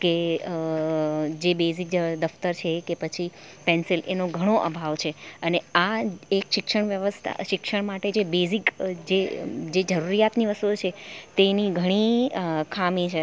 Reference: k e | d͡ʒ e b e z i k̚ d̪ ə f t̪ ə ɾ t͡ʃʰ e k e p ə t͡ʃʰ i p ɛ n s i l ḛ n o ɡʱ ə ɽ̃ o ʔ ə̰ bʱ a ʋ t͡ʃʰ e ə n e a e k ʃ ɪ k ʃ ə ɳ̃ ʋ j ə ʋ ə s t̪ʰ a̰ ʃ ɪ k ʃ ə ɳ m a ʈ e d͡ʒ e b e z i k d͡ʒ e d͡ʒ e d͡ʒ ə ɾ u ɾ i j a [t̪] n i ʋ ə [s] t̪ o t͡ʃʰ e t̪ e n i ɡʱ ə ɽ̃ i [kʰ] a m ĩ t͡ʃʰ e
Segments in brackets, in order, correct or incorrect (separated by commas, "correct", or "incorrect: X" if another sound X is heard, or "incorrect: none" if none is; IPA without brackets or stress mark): correct, correct, correct